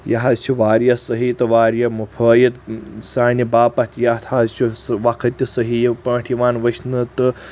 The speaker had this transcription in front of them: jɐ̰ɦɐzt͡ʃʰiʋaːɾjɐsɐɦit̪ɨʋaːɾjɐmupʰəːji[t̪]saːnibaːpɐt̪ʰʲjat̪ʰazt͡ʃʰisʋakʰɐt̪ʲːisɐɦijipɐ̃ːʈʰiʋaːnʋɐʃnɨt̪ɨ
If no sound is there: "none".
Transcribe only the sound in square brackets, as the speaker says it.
t̪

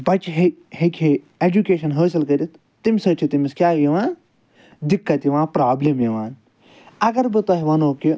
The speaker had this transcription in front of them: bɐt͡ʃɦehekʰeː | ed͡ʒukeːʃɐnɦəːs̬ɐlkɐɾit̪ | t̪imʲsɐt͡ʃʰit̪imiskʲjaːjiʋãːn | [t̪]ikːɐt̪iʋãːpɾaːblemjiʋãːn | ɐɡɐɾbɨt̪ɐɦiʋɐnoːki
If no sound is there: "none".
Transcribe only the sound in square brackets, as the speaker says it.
d̪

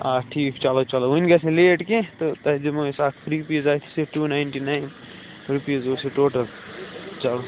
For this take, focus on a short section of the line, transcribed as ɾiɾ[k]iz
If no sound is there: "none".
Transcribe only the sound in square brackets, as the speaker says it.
p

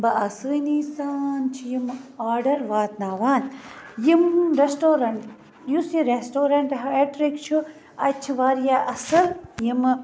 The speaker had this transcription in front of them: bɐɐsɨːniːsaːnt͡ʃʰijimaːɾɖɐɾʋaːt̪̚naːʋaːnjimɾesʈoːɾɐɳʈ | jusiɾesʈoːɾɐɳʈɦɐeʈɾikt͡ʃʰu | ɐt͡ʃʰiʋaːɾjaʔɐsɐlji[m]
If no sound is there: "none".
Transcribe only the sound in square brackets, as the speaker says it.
m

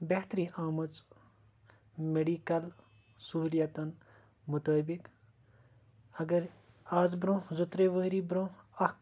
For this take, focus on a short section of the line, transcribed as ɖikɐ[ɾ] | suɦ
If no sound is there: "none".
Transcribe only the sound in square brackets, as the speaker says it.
l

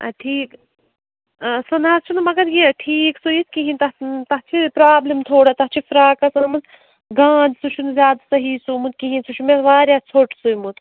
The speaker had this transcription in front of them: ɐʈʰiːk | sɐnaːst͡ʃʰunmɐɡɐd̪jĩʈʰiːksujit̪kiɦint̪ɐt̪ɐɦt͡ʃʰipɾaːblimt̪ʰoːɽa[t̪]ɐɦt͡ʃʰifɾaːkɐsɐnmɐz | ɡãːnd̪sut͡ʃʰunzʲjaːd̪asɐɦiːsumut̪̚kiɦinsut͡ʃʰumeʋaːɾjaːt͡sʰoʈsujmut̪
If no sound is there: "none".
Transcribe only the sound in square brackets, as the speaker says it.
t̪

